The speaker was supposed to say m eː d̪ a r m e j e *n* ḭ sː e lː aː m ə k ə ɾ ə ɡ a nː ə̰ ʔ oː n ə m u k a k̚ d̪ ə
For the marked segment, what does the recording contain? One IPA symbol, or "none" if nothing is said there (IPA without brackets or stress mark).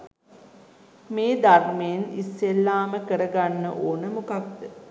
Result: n